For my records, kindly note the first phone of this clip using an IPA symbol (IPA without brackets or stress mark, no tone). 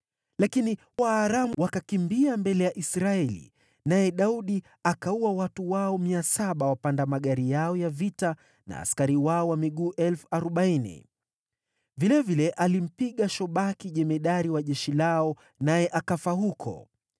l